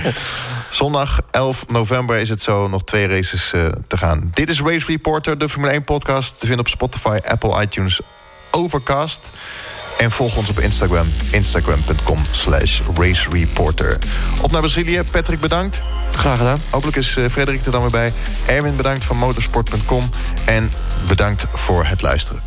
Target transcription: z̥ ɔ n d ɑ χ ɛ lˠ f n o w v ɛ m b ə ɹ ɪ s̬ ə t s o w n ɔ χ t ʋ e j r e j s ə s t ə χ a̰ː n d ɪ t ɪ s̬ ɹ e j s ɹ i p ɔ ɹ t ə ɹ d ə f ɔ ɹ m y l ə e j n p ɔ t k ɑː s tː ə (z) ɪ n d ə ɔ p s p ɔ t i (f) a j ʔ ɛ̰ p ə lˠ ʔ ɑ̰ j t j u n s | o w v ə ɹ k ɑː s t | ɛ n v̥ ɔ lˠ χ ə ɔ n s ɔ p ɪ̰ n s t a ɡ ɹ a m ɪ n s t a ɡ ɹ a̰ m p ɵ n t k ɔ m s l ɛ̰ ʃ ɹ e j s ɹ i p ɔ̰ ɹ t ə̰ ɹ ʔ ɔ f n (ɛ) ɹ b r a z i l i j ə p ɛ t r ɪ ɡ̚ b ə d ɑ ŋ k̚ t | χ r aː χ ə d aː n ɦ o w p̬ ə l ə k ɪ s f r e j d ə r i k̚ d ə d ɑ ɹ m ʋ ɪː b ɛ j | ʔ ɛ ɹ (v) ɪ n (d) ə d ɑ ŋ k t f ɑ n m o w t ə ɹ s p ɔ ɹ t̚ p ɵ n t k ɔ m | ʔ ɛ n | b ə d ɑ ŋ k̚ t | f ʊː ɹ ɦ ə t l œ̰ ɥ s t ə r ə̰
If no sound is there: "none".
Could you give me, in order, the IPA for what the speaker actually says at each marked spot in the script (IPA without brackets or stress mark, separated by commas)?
v, f, a, v, b